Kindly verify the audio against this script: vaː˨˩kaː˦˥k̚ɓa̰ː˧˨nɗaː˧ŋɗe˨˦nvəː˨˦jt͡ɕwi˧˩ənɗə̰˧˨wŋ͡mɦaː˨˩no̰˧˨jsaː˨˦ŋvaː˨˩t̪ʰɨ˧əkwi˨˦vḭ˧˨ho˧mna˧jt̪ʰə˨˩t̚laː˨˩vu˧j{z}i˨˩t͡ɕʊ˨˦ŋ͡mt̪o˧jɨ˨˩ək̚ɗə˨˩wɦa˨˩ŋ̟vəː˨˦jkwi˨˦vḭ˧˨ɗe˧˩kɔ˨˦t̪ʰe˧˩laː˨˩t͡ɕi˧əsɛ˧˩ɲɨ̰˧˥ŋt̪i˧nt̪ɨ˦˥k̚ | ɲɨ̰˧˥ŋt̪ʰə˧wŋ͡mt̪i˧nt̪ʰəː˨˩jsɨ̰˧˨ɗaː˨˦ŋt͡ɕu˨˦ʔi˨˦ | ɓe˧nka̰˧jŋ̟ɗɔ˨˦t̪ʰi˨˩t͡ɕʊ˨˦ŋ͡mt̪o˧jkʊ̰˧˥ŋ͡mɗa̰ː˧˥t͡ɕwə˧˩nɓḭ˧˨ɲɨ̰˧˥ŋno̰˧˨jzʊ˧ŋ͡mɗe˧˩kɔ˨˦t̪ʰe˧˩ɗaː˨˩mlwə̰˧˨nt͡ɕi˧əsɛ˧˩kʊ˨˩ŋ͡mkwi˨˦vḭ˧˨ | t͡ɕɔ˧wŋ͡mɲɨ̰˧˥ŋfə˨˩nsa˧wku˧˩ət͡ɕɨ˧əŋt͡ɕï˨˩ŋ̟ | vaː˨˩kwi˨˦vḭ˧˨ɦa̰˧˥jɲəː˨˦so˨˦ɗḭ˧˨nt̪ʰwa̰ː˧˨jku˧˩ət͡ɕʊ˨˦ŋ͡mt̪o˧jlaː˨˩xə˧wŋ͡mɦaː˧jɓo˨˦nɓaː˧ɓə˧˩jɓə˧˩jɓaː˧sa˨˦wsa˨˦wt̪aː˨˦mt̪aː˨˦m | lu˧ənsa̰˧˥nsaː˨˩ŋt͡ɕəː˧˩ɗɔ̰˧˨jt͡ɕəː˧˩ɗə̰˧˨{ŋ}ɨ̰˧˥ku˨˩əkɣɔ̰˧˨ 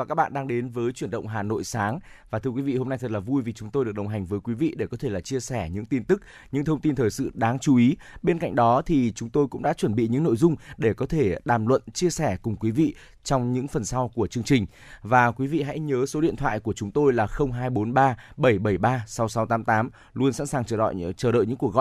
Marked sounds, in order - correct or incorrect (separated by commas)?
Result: incorrect, incorrect